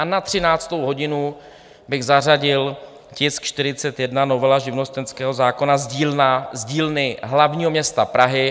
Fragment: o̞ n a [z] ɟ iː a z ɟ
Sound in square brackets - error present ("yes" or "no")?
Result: no